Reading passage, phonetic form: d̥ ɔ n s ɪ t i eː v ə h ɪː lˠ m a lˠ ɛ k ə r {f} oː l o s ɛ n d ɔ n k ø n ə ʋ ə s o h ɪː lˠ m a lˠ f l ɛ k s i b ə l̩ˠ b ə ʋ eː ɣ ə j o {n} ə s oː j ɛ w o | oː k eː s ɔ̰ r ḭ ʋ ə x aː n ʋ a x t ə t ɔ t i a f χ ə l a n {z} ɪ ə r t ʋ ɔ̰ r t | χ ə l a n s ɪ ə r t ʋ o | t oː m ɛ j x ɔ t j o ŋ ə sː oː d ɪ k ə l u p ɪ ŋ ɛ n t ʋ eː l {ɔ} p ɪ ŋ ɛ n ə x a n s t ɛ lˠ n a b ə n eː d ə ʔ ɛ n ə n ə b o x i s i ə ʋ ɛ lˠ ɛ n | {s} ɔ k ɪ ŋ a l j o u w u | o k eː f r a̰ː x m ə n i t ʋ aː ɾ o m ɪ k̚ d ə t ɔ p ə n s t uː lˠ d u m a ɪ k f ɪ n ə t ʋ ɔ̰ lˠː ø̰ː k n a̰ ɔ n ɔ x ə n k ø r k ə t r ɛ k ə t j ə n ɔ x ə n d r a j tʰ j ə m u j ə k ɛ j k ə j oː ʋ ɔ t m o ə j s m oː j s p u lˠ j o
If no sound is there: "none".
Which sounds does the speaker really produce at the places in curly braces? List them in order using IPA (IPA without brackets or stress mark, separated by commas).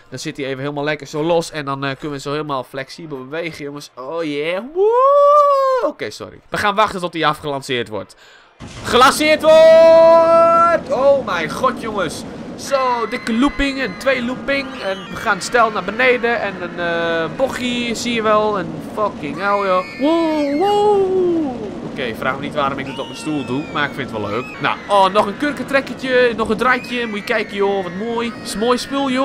s, ŋ, s, u, f